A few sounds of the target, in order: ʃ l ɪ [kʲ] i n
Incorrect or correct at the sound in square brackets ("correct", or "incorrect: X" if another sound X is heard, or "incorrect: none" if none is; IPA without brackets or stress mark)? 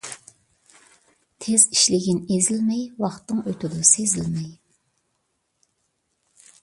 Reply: incorrect: ɡʲ